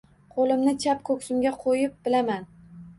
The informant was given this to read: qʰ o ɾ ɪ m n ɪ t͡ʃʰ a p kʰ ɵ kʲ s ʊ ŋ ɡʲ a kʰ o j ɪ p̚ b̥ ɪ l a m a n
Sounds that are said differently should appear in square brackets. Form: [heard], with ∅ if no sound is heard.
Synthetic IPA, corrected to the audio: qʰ o [l] ɪ m n ɪ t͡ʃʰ a p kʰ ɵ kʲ s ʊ [m] ɡʲ a [qʰ] o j ɪ p̚ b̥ ɪ l a m a n